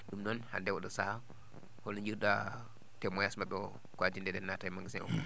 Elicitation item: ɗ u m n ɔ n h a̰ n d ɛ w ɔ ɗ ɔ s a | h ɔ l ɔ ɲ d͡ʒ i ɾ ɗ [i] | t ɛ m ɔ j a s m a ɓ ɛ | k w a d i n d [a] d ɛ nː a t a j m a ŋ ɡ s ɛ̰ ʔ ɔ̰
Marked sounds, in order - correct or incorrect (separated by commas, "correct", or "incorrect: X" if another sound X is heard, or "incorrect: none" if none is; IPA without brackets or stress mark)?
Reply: incorrect: a, incorrect: ɛ